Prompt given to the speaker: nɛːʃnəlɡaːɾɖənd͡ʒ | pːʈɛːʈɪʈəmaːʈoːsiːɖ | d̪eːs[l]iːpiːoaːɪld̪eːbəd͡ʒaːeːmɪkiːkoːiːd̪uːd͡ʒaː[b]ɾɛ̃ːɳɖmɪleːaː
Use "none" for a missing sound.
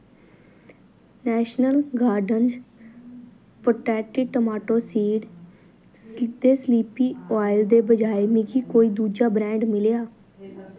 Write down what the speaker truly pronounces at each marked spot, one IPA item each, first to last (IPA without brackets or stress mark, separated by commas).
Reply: l, b